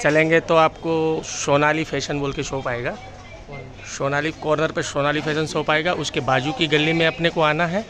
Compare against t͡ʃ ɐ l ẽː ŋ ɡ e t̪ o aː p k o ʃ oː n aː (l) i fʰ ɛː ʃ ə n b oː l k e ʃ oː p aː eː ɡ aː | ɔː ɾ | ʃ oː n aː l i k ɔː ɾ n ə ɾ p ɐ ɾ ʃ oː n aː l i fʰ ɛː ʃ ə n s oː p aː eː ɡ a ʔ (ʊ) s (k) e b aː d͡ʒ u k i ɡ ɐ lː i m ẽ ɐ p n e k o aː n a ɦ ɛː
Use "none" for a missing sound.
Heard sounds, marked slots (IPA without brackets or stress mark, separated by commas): l, ʊ, k